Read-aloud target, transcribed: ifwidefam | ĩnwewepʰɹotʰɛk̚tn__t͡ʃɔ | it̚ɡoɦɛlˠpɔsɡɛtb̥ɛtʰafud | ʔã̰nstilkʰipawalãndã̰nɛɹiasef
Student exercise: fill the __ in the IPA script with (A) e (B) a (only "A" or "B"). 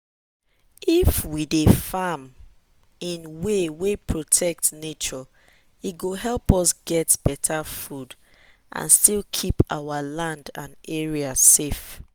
A